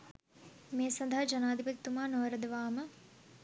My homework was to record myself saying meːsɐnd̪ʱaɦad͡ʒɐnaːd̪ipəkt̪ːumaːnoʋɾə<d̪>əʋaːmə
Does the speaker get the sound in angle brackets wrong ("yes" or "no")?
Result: no